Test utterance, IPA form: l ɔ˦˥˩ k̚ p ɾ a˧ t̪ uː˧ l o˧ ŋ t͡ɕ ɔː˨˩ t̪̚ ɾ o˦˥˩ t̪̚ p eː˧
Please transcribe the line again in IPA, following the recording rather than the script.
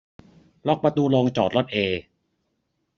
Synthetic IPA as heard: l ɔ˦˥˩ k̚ p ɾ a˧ t̪ uː˧ l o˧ ŋ t͡ɕ ɔː˨˩ t̪̚ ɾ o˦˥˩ t̪̚ ʔ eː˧